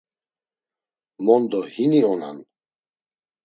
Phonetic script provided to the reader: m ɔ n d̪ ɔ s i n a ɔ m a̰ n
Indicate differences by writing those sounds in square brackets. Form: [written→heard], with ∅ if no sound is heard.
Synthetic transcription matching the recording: m ɔ n d̪ ɔ [s→h] i n [a→i] ɔ [m→n] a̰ n